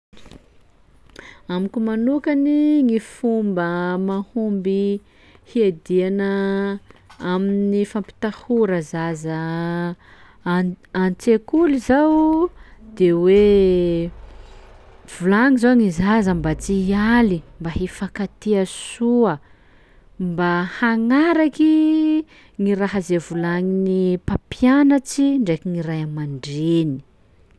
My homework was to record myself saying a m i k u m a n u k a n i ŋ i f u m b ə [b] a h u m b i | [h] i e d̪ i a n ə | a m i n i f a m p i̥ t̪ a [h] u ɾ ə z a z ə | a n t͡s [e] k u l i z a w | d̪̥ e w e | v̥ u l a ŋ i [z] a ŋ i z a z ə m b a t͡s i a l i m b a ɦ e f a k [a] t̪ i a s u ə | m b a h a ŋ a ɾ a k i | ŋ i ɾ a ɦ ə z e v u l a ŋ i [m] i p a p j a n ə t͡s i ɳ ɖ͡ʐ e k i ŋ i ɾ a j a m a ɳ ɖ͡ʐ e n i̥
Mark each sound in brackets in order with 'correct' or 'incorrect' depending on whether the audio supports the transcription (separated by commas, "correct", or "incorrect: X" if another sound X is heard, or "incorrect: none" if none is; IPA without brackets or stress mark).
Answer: incorrect: m, correct, correct, correct, correct, correct, incorrect: n